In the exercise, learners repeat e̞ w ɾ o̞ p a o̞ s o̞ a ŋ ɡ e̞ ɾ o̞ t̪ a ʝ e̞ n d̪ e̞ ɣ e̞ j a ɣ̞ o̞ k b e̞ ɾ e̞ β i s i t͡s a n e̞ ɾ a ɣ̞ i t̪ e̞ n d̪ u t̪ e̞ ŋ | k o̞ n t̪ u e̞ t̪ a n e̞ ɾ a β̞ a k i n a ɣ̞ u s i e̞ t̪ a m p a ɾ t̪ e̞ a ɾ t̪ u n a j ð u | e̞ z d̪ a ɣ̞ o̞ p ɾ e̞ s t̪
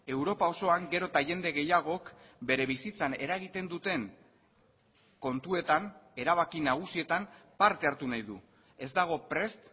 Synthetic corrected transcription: e̞ w ɾ o̞ p a o̞ s o̞ a ŋ ɡ e̞ ɾ o̞ t̪ a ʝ e̞ n d̪ e̞ ɣ e̞ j a ɣ̞ o̞ k b e̞ ɾ e̞ β i s i t͡s a n e̞ ɾ a ɣ̞ i t̪ e̞ n d̪ u t̪ e̞ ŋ | k o̞ n t̪ u e̞ t̪ a n e̞ ɾ a β̞ a k i n a ɣ̞ u s i e̞ t̪ a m p a ɾ t̪ e̞ a ɾ t̪ u n a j ð u | e̞ z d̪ a ɣ̞ o̞ p ɾ e̞ s t̪